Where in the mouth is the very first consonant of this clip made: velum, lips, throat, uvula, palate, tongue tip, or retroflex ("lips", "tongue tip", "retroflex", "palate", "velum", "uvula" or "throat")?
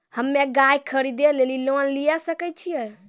throat